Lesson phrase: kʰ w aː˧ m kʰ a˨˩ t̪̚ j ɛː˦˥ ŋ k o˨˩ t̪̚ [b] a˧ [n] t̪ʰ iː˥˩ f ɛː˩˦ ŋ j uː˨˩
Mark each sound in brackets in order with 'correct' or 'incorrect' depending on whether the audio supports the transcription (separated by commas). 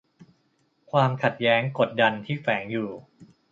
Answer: incorrect, correct